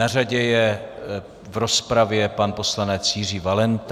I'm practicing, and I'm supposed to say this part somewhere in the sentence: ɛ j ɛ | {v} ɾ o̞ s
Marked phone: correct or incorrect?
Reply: correct